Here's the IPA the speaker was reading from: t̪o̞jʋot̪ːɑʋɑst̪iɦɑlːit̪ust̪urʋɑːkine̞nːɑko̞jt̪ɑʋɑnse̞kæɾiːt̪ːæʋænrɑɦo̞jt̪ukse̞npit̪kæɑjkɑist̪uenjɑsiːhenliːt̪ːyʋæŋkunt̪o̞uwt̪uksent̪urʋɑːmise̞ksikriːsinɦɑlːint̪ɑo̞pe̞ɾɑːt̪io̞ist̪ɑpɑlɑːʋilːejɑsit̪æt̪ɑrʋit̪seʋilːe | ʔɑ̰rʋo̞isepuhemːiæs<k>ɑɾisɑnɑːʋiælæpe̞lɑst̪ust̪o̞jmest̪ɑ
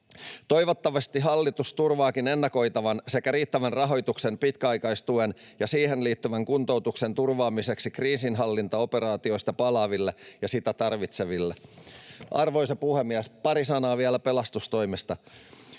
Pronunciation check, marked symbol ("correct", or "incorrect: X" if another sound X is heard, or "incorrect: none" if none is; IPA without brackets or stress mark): incorrect: p